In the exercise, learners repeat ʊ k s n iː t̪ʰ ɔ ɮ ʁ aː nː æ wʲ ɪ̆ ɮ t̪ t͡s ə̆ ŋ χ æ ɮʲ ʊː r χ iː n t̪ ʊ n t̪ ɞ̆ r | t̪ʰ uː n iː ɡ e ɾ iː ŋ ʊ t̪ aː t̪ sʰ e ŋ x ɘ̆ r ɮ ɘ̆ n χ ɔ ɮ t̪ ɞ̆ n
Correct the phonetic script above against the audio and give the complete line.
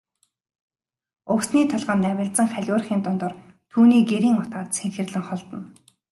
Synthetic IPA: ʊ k s n iː t̪ʰ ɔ ɮ ʁ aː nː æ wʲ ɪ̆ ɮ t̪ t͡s ə̆ ŋ χ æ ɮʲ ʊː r χ iː n t̪ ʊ n t̪ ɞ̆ r | t̪ʰ uː n iː ɡ e ɾ iː ŋ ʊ t̪ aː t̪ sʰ e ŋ x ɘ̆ r ɮ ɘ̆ ŋ χ ɔ ɮ t̪ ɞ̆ n